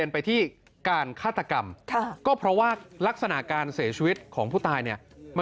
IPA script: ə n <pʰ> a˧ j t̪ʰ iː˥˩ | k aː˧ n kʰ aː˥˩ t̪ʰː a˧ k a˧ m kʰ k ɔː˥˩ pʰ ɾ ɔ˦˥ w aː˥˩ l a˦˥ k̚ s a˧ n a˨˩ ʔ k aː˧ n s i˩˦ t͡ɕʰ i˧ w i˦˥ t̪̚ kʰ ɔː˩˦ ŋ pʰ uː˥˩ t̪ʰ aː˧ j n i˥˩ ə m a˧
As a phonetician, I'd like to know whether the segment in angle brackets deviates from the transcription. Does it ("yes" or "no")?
yes